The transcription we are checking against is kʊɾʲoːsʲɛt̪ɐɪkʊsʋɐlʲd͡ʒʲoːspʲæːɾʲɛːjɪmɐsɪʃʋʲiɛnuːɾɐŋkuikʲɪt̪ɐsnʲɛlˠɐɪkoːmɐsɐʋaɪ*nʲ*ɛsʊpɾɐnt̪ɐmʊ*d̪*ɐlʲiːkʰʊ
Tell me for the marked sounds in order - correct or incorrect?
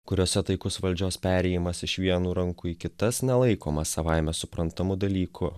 incorrect: mʲ, correct

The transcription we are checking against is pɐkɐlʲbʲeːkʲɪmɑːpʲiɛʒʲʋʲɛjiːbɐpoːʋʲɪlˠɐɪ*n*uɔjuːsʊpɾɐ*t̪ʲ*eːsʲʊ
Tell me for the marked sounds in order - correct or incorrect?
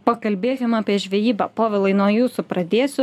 correct, incorrect: d̪ʲ

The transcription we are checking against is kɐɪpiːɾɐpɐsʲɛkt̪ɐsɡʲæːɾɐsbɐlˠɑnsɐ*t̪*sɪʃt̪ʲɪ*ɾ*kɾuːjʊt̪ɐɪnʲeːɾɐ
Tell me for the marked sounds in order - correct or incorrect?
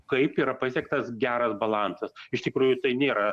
incorrect: none, incorrect: none

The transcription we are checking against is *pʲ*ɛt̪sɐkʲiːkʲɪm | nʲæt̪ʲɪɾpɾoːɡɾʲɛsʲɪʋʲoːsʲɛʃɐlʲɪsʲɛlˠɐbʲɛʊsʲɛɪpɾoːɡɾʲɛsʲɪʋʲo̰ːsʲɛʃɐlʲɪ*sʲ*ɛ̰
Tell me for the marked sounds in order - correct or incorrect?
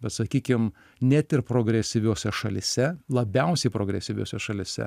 incorrect: bʲ, correct

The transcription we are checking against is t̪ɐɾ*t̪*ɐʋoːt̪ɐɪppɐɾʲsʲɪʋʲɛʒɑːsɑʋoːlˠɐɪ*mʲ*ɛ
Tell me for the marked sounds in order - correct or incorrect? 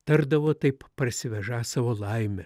incorrect: d̪, correct

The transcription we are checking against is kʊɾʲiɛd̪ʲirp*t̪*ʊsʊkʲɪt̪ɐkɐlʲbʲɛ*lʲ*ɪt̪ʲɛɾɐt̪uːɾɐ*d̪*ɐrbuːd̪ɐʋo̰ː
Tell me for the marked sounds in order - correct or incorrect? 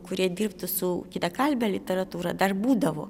correct, correct, correct

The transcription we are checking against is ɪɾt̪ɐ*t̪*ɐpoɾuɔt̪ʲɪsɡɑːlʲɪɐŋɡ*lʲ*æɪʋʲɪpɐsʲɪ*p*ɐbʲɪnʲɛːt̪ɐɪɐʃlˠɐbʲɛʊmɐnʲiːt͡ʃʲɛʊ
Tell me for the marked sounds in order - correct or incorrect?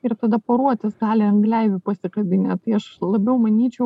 incorrect: d̪, correct, incorrect: k

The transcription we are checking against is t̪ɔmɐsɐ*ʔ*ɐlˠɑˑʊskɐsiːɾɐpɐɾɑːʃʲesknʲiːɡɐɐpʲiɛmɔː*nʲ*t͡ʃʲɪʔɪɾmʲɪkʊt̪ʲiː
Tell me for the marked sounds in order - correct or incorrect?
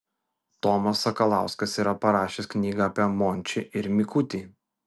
incorrect: k, correct

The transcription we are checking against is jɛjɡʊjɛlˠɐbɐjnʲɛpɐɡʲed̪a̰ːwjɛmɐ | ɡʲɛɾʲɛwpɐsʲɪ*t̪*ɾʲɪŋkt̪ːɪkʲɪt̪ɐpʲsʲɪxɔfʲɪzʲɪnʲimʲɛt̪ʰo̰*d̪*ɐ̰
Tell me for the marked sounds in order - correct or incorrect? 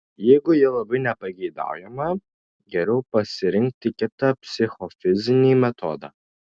incorrect: none, correct

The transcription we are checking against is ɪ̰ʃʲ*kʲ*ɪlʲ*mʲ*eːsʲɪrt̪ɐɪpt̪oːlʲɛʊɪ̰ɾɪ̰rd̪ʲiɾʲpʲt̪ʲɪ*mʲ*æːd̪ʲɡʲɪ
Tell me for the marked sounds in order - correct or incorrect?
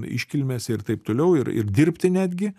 correct, correct, incorrect: nʲ

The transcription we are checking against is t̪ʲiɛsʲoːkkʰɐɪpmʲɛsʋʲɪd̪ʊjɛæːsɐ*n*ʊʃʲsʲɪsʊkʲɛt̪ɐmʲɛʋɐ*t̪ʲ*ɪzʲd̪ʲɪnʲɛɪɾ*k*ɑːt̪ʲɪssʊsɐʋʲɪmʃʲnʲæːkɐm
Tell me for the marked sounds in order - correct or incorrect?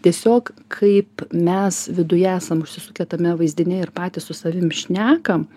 incorrect: m, incorrect: none, incorrect: p

